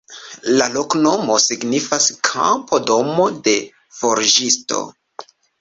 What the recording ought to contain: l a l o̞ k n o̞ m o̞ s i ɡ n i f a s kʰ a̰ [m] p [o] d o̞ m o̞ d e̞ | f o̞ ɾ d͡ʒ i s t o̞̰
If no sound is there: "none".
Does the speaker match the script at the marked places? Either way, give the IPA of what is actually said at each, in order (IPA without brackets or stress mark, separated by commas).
m, o